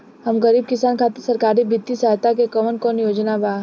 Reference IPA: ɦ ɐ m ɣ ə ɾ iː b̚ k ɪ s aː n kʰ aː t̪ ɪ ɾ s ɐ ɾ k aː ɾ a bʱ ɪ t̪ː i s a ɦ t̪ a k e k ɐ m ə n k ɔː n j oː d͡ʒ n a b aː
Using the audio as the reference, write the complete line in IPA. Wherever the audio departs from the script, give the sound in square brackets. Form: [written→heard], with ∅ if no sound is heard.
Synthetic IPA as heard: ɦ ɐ m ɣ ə ɾ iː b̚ k ɪ s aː n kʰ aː t̪ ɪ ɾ s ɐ ɾ k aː ɾ [a→i] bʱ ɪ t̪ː i s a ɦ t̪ a k e k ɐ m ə n k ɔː n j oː d͡ʒ n a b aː